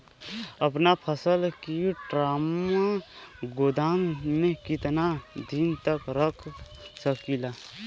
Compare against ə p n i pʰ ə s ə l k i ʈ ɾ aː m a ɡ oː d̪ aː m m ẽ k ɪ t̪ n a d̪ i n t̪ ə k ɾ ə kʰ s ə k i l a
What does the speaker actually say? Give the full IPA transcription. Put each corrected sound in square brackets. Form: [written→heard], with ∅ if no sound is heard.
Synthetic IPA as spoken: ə p n [i→a] pʰ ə s ə l k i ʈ ɾ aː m a ɡ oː d̪ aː m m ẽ k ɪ t̪ n a d̪ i n t̪ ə k ɾ ə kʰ s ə k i l a